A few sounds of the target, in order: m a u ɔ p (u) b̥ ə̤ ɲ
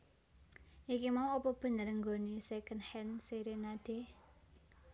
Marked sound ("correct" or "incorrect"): incorrect